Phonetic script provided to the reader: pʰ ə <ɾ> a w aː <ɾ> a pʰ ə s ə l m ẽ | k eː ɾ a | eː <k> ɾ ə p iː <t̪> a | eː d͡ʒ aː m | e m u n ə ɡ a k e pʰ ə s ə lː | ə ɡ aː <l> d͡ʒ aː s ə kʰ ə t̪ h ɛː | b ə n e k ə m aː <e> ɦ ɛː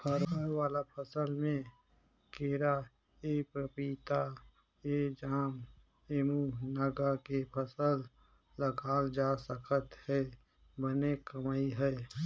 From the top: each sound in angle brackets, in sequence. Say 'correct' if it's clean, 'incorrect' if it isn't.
correct, incorrect: l, incorrect: p, correct, correct, incorrect: i

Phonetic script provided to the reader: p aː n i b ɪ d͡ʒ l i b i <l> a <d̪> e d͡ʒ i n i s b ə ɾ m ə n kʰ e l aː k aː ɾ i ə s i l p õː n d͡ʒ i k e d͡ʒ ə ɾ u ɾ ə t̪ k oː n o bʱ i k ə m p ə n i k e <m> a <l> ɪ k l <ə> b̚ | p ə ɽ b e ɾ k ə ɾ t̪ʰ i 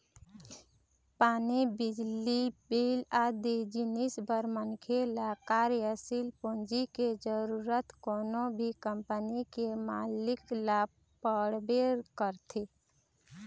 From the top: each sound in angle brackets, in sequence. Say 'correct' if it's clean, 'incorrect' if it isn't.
correct, correct, correct, correct, incorrect: a

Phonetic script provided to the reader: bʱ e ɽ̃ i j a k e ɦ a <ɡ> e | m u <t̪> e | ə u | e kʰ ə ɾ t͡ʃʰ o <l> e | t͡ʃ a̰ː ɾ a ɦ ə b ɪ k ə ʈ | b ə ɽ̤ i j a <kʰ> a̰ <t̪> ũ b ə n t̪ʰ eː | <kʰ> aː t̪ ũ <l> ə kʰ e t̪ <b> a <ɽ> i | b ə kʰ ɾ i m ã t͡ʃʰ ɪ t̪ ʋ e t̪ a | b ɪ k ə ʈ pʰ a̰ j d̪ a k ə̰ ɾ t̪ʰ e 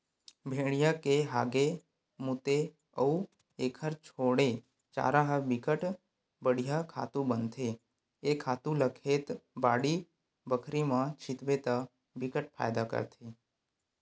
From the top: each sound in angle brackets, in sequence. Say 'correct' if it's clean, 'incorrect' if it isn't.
correct, correct, incorrect: ɽ, correct, correct, correct, correct, correct, correct

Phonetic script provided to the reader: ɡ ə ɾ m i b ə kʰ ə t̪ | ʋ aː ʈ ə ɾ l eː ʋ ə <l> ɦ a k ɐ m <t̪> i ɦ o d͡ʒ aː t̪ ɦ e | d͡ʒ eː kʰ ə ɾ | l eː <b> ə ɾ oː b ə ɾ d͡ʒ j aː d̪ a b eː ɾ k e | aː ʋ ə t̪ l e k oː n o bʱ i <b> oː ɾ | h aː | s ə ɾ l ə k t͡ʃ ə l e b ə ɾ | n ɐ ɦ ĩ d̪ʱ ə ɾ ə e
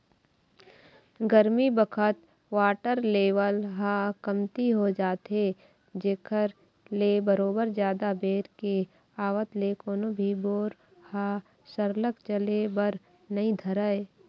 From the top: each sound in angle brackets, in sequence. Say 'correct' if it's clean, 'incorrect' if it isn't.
correct, correct, correct, correct

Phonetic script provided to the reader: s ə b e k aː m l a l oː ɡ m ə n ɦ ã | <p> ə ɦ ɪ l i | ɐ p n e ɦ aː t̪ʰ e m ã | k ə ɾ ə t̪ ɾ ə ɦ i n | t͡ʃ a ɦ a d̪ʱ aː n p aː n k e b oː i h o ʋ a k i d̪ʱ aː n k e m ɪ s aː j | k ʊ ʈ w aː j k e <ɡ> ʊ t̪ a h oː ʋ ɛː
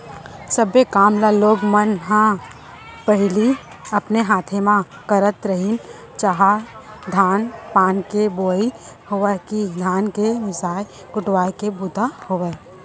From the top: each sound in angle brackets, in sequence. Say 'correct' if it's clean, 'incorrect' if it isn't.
correct, incorrect: b

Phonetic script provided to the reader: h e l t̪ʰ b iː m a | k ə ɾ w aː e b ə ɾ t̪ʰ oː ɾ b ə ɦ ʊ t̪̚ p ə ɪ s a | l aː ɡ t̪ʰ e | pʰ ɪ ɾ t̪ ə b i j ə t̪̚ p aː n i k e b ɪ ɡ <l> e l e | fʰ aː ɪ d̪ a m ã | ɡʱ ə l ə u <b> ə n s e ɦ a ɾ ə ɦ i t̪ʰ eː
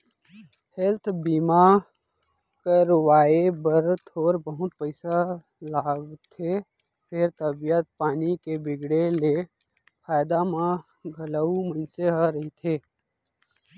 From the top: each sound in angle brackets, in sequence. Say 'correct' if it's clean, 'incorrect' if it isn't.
incorrect: ɽ, incorrect: m

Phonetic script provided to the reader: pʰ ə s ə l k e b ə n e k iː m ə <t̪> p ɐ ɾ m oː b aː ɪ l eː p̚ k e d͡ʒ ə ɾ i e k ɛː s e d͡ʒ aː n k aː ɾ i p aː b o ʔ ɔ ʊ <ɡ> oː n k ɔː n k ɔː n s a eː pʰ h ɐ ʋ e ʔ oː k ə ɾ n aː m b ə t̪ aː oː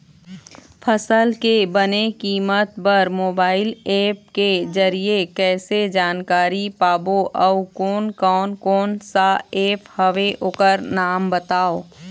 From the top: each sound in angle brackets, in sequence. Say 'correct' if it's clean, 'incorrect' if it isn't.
correct, incorrect: k

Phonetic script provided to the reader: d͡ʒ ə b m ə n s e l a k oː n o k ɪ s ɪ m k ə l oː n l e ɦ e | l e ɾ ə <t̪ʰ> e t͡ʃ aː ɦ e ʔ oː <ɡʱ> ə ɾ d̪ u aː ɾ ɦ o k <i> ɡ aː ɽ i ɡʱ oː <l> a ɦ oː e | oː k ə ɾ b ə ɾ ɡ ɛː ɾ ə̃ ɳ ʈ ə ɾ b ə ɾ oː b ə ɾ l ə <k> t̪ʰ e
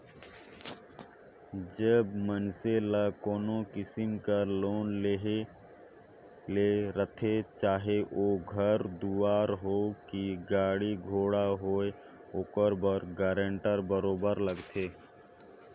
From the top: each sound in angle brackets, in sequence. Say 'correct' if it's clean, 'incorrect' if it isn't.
correct, correct, correct, incorrect: ɽ, incorrect: ɡ

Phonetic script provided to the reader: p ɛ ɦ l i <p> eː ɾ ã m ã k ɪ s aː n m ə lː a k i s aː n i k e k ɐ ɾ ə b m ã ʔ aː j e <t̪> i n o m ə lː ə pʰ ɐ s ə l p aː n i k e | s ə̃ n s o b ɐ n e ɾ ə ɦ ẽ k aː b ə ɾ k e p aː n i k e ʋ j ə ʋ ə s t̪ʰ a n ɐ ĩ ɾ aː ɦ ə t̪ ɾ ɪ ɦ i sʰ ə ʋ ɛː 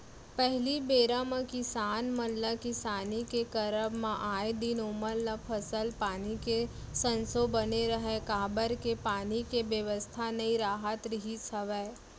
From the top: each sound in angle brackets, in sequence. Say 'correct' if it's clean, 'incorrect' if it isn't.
incorrect: b, incorrect: d̪

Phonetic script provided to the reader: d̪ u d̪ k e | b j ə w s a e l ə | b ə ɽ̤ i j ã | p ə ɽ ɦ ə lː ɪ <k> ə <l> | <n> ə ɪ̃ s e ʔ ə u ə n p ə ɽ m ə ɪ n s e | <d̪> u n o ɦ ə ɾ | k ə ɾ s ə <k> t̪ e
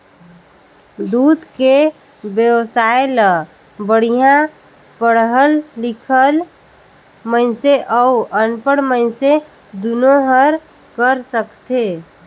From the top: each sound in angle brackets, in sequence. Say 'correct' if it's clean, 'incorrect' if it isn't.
incorrect: kʰ, correct, incorrect: m, correct, correct

